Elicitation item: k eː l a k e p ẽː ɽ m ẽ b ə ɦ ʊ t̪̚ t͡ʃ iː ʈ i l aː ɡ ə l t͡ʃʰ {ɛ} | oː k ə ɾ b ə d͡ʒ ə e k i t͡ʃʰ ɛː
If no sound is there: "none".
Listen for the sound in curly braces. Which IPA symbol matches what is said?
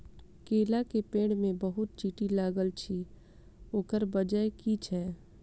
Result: i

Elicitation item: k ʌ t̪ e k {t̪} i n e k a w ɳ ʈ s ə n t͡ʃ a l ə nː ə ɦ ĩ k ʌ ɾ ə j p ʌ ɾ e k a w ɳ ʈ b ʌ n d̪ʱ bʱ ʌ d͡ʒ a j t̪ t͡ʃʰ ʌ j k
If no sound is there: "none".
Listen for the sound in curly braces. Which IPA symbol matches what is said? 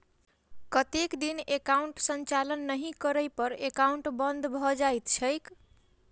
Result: d̪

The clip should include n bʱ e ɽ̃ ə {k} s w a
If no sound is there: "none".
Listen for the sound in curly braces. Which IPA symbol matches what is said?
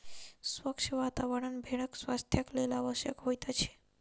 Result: k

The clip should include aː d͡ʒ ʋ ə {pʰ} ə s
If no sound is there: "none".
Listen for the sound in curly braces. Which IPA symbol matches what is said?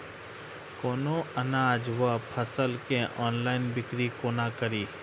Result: pʰ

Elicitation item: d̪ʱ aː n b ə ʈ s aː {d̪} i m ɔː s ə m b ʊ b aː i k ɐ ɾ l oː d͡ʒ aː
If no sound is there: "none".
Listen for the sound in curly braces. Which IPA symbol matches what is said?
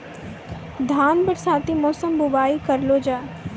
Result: t̪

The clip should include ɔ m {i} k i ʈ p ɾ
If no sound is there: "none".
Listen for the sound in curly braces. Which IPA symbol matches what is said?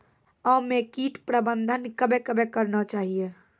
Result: e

